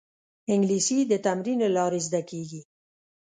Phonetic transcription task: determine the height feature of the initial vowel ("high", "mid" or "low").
high